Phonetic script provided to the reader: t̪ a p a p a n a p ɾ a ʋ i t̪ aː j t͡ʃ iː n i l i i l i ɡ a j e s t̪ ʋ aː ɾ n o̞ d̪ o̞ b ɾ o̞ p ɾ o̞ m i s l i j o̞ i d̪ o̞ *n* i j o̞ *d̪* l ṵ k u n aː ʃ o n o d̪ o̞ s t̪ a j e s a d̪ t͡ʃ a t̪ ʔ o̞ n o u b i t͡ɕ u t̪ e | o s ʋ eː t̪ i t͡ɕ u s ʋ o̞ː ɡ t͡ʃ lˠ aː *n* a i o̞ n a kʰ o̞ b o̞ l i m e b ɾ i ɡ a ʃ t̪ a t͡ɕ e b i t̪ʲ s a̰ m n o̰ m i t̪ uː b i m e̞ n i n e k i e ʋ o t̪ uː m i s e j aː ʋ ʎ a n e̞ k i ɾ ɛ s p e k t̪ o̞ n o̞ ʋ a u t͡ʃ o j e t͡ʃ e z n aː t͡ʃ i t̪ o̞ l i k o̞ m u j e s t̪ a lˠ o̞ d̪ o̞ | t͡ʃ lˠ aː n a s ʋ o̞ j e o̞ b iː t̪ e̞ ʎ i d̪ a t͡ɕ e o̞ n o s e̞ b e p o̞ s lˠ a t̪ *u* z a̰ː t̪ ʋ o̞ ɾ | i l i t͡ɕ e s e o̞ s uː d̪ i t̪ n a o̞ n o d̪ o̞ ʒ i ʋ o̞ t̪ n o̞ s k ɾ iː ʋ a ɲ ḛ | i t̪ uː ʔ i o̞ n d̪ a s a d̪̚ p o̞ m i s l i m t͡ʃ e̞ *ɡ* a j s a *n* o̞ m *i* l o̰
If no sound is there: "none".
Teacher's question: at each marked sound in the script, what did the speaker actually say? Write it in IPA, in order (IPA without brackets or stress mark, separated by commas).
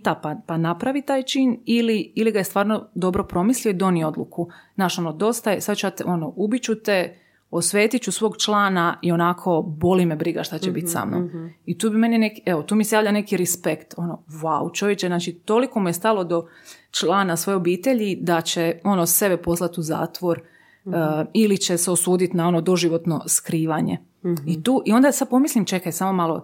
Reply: n, d̪, n, u, k, m, a